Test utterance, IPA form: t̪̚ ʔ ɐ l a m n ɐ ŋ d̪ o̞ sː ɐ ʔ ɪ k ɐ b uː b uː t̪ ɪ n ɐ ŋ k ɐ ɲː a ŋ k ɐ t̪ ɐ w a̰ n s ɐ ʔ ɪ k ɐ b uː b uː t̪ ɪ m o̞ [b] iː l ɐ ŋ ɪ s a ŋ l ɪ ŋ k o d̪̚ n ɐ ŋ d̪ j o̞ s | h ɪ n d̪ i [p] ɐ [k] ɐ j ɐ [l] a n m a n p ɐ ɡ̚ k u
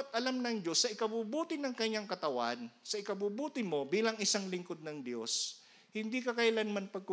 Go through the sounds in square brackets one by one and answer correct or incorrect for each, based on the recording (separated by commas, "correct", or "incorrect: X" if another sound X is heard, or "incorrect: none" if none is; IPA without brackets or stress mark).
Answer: correct, incorrect: k, correct, correct